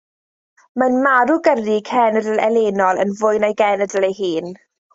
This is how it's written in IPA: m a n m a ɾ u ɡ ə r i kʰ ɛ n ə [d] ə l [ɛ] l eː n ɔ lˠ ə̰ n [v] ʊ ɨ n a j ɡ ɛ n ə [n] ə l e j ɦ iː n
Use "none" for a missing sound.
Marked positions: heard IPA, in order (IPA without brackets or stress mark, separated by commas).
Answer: d, ɛ, v, d